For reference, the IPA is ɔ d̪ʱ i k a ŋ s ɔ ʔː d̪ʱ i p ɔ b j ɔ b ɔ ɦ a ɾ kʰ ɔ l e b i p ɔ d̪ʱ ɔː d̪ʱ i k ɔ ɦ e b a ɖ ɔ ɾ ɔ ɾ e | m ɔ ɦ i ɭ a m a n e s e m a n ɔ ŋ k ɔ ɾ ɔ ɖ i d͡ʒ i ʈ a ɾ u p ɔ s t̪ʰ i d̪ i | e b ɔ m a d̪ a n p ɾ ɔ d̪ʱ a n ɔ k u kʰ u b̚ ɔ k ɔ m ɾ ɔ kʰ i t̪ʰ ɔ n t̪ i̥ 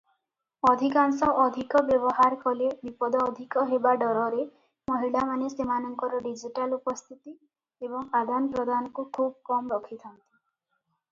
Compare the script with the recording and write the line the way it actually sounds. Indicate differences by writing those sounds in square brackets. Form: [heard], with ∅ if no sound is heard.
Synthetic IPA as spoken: ɔ d̪ʱ i k a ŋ s ɔ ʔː d̪ʱ i [k] ɔ b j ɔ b ɔ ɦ a ɾ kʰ ɔ l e b i p ɔ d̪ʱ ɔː d̪ʱ i k ɔ ɦ e b a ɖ ɔ ɾ ɔ ɾ e | m ɔ ɦ i ɭ a m a n e s e m a n ɔ ŋ k ɔ ɾ ɔ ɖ i d͡ʒ i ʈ a [l] u p ɔ s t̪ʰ i [t̪] i | e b ɔ [ŋ] a d̪ a n p ɾ ɔ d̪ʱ a n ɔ k u kʰ u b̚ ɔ k ɔ m ɾ ɔ kʰ i t̪ʰ ɔ n t̪ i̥